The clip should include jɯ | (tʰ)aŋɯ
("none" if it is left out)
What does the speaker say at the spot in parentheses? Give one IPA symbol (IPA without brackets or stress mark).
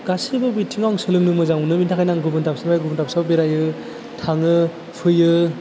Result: tʰ